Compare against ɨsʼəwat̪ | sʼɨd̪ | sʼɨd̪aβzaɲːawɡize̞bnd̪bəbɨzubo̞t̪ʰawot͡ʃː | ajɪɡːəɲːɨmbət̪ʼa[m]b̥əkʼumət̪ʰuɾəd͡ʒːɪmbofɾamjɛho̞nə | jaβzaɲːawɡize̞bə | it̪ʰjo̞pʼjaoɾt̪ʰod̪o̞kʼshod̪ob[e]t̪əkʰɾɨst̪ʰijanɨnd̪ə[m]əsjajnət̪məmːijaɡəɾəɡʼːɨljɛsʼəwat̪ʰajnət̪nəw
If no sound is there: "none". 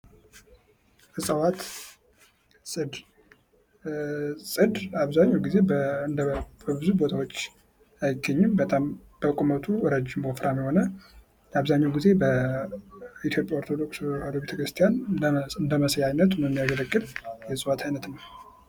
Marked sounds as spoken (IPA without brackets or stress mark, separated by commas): m, e, m